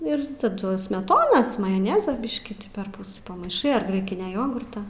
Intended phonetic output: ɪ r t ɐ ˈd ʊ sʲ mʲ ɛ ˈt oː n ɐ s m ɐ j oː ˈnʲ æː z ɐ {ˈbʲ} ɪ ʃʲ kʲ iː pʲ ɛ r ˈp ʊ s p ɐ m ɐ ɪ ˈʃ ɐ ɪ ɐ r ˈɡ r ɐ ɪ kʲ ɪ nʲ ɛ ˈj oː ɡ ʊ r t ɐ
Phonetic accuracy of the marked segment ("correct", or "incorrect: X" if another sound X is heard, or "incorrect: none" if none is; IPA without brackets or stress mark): correct